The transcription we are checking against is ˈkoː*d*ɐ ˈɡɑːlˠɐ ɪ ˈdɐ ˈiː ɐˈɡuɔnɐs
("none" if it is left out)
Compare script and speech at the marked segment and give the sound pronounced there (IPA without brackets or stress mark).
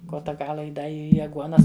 t